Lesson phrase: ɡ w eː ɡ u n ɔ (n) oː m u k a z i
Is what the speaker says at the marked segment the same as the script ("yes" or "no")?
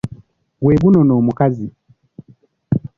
yes